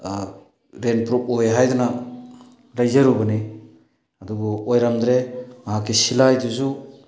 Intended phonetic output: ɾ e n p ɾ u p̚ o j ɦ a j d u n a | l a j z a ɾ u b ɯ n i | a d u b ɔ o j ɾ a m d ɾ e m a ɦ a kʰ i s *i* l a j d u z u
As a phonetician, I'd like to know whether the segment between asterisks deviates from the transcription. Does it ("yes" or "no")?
no